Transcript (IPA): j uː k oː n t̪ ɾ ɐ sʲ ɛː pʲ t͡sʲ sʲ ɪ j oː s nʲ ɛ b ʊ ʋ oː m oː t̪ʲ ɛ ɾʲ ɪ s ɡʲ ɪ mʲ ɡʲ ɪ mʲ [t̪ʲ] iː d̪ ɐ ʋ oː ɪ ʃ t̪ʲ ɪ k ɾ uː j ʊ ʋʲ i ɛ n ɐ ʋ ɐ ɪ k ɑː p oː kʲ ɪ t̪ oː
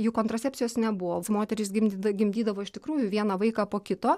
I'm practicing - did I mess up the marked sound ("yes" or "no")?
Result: yes